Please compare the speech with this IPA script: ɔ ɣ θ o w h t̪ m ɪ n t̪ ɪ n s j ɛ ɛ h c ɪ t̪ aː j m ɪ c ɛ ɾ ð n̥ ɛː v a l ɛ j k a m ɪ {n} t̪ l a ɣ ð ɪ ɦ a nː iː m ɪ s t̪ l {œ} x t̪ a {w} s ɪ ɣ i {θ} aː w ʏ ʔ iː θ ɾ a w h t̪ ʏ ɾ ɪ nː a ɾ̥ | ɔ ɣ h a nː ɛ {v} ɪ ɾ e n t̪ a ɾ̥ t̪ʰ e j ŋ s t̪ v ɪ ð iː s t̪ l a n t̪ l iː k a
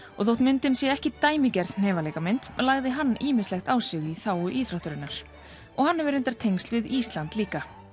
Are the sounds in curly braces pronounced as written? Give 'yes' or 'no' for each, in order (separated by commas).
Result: yes, no, yes, yes, yes